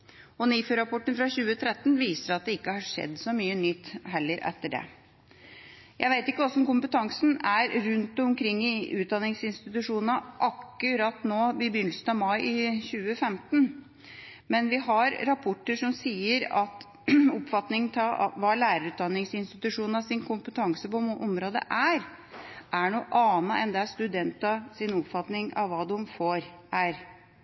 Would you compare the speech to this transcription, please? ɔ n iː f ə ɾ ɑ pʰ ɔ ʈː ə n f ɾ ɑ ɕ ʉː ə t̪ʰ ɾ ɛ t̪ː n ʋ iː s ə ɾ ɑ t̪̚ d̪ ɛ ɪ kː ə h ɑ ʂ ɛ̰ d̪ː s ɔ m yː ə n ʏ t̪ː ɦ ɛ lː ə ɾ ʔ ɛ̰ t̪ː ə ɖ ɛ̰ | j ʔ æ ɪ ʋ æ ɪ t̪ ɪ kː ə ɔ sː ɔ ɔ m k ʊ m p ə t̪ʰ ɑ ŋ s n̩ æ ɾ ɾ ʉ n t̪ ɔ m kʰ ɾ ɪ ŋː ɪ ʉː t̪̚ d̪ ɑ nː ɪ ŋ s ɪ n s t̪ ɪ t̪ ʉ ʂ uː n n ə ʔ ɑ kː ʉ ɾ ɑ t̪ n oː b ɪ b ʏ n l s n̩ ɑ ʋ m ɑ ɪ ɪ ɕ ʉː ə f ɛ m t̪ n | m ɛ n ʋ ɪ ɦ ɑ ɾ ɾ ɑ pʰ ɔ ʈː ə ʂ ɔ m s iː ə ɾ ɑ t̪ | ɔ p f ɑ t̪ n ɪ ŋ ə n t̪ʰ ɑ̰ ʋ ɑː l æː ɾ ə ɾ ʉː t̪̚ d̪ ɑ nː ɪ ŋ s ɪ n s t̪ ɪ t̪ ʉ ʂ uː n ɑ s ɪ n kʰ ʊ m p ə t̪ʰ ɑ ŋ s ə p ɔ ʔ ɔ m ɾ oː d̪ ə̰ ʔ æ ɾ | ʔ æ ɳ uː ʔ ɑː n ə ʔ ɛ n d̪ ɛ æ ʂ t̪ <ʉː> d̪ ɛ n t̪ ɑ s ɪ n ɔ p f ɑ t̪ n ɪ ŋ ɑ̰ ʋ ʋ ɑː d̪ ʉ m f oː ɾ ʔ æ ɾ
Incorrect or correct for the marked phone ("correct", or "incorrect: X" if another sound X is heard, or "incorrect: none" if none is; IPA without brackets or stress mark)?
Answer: incorrect: ʉ